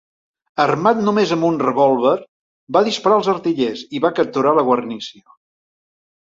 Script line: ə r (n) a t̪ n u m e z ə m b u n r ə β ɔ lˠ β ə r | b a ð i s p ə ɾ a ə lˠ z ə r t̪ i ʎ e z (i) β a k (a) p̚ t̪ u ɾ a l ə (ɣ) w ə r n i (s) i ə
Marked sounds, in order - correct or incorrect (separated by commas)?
incorrect, correct, incorrect, correct, correct